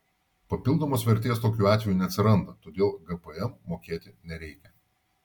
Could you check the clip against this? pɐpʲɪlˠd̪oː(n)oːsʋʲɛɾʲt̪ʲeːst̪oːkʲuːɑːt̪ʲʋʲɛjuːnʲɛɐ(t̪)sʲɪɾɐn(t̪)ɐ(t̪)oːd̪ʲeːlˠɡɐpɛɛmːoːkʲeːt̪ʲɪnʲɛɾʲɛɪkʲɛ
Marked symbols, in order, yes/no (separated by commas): no, yes, no, yes